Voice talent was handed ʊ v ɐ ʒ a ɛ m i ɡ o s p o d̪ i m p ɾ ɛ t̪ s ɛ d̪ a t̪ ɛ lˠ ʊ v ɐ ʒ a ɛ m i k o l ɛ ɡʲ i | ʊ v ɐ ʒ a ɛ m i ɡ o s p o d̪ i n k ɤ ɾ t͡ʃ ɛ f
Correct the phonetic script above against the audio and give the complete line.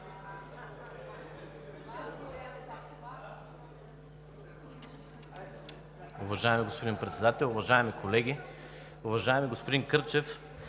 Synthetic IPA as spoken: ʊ v ɐ ʒ a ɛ m i ɡ o s p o d̪ i n p ɾ ɛ t̪ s ɛ d̪ a t̪ ɛ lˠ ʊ v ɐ ʒ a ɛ m i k o l ɛ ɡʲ i | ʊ v ɐ ʒ a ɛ m i ɡ o s p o d̪ i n k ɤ ɾ t͡ʃ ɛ f